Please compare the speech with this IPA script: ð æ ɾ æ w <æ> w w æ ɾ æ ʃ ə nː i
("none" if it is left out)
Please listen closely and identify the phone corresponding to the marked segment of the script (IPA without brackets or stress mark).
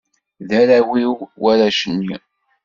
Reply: i